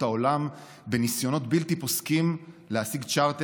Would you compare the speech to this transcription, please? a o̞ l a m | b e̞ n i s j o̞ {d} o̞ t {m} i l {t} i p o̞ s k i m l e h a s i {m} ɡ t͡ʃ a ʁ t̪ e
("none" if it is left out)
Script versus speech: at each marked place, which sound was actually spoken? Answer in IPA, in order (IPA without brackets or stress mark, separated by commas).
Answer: n, b, t, none